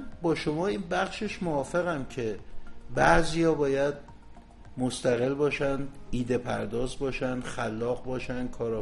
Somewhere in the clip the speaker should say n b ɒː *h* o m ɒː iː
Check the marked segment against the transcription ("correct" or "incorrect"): incorrect